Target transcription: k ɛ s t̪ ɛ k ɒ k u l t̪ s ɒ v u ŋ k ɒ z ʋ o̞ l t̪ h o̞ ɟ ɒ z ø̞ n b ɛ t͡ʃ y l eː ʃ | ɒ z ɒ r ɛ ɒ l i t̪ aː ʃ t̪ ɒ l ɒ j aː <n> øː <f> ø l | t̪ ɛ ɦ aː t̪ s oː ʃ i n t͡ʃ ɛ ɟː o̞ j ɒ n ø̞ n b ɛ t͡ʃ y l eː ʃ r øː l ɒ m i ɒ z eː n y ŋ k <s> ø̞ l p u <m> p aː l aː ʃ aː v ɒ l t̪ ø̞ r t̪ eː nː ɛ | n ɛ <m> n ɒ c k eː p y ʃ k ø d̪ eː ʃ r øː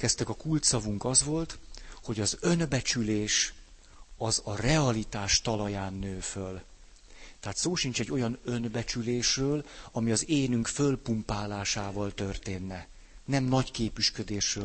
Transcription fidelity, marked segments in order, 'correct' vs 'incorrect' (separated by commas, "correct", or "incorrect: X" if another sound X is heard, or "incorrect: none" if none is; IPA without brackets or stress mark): incorrect: nː, correct, incorrect: f, correct, correct